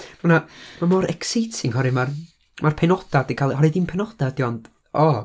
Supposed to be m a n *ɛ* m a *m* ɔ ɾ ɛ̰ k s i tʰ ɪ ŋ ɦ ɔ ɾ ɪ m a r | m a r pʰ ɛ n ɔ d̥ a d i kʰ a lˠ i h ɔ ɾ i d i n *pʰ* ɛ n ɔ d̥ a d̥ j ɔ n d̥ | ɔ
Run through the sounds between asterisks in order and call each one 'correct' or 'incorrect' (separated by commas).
incorrect, correct, correct